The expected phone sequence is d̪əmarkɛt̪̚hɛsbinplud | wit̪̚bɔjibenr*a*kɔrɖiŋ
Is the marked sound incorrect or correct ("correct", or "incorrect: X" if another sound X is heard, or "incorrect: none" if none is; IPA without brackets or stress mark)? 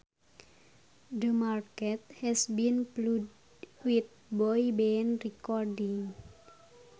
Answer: incorrect: i